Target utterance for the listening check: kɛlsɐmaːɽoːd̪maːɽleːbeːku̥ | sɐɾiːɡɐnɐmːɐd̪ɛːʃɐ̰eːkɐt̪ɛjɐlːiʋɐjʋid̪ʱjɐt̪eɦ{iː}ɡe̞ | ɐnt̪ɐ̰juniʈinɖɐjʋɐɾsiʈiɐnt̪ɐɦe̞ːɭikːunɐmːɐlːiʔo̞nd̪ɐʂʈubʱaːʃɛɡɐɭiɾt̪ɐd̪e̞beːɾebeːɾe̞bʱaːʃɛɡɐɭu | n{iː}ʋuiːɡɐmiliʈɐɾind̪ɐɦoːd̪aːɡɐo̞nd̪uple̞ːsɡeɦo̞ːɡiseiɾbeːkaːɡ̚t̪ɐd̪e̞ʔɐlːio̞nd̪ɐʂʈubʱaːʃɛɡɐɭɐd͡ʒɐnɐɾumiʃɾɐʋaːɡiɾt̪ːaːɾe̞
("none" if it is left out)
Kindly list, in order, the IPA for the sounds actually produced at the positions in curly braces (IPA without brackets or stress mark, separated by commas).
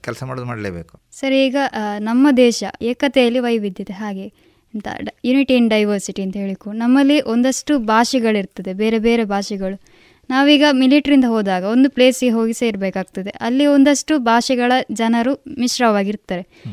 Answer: aː, aː